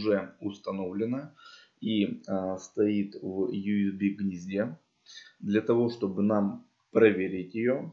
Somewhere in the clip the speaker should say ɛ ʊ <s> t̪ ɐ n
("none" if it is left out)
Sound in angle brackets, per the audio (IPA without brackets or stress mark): s